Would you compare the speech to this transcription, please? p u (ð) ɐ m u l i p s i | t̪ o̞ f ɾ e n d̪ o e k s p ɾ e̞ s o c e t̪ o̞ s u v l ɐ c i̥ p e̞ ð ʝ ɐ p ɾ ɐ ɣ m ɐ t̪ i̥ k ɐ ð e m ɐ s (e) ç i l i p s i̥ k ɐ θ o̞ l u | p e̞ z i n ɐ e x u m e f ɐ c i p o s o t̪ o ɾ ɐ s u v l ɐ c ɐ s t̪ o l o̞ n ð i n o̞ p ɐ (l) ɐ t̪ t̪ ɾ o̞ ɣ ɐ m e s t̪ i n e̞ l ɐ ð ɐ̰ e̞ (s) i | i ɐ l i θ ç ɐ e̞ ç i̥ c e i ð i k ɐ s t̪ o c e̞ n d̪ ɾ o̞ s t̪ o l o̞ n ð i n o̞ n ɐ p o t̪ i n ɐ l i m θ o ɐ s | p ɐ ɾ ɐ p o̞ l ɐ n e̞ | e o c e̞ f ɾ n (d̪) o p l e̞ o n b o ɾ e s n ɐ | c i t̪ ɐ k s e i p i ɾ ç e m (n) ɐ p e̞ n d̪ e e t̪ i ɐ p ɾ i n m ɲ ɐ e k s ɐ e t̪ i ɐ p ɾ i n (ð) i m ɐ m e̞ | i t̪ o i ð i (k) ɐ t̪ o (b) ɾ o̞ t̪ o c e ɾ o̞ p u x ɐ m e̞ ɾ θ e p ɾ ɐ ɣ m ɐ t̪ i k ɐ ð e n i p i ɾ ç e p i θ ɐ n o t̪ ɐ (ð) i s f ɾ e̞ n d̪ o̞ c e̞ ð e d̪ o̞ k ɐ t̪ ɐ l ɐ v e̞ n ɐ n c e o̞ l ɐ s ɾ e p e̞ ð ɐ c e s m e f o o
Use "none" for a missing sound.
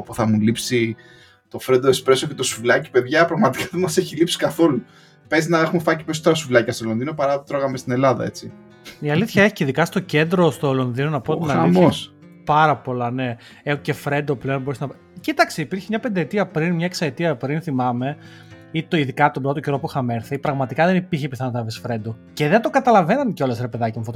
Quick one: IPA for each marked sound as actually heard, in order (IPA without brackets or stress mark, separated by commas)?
θ, e, ɾ, t͡s, d̪, ɲ, θ, k, b, v